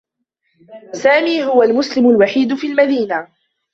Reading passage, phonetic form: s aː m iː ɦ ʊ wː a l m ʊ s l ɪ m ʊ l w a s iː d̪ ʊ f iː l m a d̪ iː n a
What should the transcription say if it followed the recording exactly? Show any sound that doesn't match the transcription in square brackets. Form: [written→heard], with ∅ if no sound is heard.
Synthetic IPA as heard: s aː m iː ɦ ʊ [wː→w] a l m ʊ s l ɪ m ʊ l w a [s→ħ] iː d̪ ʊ f iː l m a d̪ iː n a